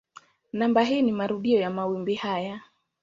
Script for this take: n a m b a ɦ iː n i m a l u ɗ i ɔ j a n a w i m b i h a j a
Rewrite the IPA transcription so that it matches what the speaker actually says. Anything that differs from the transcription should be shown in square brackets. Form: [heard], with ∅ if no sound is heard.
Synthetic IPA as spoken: n a m b a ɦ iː n i m a [ɾ] u ɗ i ɔ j a [m] a w i m b i h a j a